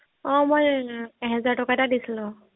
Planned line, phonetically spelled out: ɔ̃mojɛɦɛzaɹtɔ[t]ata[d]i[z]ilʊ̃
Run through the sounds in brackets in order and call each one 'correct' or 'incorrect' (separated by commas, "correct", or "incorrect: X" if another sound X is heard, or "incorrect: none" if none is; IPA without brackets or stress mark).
incorrect: k, correct, incorrect: s